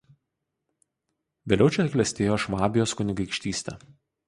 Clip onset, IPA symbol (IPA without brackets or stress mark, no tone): ʋʲ